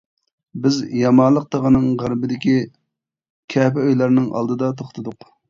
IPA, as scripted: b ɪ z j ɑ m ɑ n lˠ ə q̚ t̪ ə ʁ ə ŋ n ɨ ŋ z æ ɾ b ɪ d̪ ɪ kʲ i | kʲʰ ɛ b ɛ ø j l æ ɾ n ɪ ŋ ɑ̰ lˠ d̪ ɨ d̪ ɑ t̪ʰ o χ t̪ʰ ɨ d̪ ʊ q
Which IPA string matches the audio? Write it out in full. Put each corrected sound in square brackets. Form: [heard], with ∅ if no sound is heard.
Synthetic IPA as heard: b ɪ z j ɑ m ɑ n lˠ ə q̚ t̪ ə ʁ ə [∅] n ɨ ŋ [ʁ] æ ɾ b ɪ d̪ ɪ kʲ i | kʲʰ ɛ [p] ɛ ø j l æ ɾ n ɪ ŋ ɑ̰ lˠ d̪ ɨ d̪ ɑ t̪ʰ o χ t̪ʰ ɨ d̪ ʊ q